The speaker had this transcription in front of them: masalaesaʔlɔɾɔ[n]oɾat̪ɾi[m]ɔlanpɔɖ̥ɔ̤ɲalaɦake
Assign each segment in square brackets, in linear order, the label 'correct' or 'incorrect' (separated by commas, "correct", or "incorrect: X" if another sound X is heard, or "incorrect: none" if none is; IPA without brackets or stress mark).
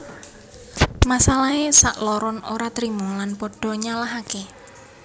correct, correct